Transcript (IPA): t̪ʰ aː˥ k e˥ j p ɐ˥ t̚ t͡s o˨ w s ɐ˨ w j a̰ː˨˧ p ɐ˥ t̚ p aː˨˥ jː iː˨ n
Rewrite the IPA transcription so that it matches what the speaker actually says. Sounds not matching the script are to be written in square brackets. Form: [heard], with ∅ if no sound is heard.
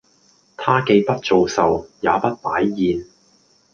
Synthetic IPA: t̪ʰ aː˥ k [e˧] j p ɐ˥ t̚ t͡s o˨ w s ɐ˨ w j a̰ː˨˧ p ɐ˥ t̚ p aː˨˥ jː iː˨ n